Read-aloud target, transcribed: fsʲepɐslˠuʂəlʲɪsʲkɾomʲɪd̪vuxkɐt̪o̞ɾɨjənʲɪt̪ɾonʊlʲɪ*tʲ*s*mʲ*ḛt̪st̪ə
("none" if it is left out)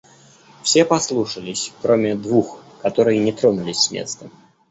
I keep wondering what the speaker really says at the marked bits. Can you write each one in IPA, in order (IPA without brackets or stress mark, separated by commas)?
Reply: sʲ, mʲ